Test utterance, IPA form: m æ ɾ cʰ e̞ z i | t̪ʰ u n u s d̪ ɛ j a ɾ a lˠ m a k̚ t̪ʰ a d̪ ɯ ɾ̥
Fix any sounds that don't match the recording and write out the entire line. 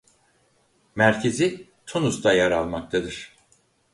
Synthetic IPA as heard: m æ ɾ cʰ e̞ z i | t̪ʰ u n u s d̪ a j a ɾ a lˠ m a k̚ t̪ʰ a d̪ ɯ ɾ̥